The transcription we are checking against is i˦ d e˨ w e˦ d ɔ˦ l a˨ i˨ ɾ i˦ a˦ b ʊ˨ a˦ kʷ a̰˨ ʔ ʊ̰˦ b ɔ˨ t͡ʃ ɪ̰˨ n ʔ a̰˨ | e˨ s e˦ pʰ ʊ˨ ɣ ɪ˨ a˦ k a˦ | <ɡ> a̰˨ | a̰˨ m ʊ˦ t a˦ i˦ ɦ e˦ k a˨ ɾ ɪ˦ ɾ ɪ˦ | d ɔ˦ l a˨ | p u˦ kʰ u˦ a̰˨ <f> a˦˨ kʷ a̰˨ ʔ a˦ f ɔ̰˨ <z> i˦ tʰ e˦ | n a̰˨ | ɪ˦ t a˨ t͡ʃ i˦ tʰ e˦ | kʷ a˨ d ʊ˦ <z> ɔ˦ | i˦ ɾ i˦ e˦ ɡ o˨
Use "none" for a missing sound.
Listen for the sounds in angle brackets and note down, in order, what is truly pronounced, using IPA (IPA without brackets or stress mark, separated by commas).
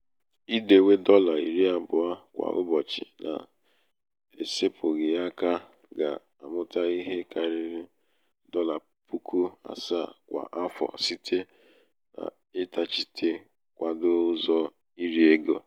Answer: ɡ, s, s, z